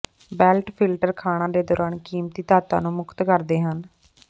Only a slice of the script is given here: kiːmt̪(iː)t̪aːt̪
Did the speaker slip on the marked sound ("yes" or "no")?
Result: no